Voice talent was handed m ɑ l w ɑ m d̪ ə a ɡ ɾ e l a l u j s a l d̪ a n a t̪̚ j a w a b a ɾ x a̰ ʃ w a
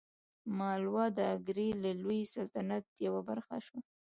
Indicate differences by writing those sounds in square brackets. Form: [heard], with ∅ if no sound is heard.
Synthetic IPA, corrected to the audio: m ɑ l w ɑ [∅] d̪ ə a ɡ ɾ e l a l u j s a l [t̪] a n a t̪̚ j a w a b a ɾ x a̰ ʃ w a